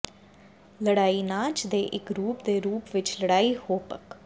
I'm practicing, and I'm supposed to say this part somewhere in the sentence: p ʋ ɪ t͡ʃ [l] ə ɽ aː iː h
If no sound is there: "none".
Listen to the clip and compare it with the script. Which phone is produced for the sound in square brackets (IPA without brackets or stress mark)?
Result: l